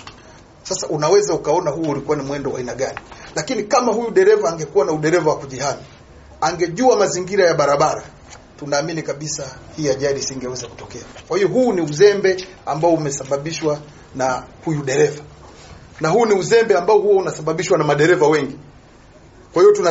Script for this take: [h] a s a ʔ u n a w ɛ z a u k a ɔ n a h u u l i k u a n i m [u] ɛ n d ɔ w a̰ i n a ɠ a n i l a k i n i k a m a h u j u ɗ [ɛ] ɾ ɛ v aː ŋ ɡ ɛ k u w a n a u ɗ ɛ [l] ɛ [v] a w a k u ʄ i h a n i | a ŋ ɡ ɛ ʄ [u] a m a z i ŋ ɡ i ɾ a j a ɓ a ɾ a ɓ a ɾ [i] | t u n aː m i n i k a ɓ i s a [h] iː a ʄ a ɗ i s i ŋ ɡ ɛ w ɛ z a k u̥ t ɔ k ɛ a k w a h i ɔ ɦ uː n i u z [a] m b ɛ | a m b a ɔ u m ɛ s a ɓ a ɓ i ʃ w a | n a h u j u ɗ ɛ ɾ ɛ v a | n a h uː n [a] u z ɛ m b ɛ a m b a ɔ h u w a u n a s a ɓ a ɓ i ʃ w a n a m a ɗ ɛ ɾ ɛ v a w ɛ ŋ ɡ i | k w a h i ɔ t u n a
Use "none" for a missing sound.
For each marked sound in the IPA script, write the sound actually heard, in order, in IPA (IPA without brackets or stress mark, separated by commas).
s, w, ɛ, ɾ, v, u, a, h, ɛ, i